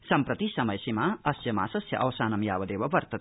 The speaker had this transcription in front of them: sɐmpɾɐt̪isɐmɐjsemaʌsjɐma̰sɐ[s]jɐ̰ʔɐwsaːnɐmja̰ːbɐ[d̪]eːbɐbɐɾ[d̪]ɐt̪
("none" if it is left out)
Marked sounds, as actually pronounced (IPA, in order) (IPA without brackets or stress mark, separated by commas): s, d̪, t̪